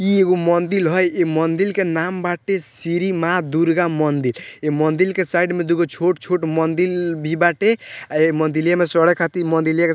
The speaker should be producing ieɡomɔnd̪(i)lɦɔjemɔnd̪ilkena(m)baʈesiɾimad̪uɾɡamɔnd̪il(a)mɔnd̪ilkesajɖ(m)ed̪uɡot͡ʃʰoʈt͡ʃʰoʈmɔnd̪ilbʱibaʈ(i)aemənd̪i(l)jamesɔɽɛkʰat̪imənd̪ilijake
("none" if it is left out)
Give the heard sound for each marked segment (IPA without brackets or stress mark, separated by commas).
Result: i, m, e, m, e, l